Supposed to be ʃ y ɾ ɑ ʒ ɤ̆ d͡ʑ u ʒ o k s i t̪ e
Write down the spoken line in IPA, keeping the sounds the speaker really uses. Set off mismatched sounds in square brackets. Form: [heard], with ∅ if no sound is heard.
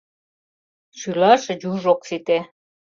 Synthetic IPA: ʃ y [l] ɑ [ʃ] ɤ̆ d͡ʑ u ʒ o k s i t̪ e